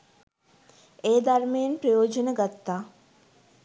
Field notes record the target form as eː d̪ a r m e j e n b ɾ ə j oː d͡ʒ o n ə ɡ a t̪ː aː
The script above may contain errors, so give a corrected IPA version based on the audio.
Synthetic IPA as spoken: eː d̪ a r m e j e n p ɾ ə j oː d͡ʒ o n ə ɡ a t̪ː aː